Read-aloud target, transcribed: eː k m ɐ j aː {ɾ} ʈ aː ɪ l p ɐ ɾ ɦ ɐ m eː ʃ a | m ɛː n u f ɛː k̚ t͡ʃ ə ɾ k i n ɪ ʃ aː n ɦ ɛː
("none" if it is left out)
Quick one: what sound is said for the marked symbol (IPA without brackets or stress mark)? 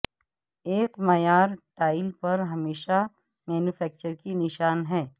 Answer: ɾ